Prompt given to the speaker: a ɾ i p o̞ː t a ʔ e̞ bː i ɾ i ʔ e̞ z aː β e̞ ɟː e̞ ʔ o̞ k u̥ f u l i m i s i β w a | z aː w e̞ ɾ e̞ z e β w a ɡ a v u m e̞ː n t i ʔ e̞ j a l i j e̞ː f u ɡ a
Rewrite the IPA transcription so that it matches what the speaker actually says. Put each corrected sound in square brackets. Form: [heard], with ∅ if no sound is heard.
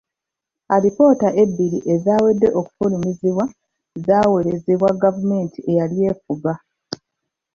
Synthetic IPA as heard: a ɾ i p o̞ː t a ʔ e̞ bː i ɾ i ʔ e̞ z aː [w] e̞ [dː] e̞ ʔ o̞ k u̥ f u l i m i [z] i β w a | z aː w e̞ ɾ e̞ z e β w a ɡ a v u m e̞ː n t i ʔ e̞ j a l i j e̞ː f u ɡ a